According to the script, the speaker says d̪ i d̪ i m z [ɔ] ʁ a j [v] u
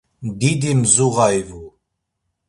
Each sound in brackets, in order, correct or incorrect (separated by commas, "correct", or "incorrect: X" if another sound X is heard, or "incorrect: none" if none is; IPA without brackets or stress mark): incorrect: u, correct